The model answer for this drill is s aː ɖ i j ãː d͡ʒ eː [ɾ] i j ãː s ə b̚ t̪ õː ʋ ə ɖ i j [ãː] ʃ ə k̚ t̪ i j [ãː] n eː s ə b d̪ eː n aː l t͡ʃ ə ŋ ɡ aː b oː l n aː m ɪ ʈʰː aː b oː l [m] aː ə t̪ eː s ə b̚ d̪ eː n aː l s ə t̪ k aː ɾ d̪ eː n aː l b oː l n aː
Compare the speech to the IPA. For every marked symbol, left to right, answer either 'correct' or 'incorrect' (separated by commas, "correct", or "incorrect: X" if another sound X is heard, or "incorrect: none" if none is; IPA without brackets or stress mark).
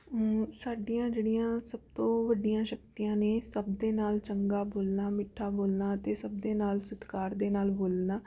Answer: incorrect: ɽ, correct, correct, incorrect: n